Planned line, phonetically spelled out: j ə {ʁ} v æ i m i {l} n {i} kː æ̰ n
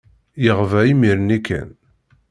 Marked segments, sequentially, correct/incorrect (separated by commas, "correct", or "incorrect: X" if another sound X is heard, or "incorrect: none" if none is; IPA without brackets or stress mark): correct, incorrect: ɾ, correct